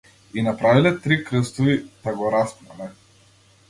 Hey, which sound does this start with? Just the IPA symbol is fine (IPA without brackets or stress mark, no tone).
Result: i